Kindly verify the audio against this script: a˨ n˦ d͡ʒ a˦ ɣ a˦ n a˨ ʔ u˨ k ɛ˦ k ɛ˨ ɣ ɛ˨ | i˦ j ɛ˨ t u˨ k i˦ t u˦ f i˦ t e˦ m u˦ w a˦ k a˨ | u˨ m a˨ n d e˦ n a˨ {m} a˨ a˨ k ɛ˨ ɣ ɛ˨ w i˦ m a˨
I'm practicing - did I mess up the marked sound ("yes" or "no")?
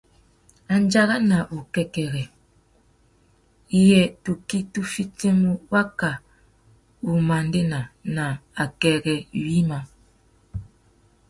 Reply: yes